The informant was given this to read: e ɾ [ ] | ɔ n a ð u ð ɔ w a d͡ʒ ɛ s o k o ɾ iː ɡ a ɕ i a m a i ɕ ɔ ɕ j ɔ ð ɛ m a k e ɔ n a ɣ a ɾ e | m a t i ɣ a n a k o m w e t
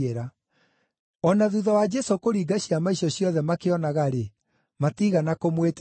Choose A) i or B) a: B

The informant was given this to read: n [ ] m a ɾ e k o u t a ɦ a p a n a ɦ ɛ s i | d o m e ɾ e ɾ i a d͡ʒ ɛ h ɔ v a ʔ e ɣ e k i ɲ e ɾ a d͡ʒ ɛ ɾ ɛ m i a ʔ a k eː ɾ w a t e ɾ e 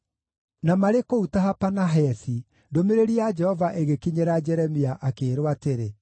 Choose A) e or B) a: B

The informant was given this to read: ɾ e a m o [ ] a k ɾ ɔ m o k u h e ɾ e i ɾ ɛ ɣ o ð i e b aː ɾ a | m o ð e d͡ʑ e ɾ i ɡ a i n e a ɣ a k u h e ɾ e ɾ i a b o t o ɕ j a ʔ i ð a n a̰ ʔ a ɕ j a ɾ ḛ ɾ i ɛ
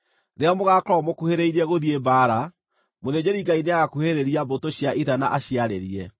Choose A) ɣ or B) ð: A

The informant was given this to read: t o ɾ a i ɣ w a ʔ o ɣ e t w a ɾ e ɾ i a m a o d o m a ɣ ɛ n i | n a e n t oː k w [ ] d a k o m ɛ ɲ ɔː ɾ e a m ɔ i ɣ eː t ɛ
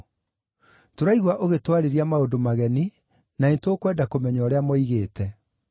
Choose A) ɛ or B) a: A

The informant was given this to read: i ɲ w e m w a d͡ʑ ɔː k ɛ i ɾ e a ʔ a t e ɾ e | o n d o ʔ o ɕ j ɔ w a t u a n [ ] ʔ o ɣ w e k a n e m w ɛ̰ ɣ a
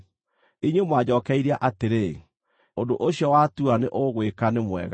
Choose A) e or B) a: A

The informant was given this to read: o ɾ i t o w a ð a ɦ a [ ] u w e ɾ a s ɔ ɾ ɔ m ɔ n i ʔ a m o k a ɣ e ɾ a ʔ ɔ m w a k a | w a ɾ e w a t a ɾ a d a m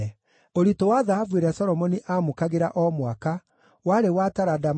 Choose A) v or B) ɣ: A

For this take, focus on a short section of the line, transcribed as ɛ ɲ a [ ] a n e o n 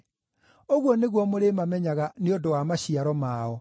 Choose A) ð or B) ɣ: B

